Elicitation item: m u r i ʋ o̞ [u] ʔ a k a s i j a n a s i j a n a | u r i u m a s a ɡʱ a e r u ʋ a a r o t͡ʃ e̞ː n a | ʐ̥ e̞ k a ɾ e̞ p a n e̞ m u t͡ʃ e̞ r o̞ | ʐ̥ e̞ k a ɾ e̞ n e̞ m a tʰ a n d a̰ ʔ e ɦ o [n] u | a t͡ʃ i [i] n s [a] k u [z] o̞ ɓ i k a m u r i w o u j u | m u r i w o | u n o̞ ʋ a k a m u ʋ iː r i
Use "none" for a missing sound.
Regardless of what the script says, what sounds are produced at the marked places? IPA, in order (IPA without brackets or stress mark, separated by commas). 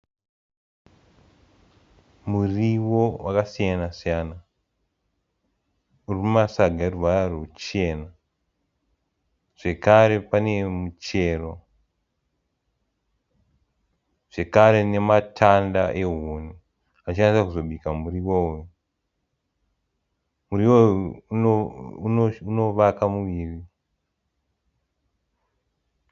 w, n, a, a, z